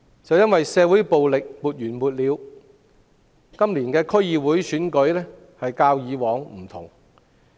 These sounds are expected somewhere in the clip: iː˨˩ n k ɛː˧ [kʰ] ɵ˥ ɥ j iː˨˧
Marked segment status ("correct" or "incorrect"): correct